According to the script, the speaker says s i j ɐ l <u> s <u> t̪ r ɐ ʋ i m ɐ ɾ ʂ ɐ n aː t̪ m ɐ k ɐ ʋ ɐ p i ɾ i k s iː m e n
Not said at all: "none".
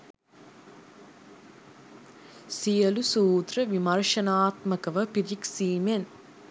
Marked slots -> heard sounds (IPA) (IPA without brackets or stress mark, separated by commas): u, uː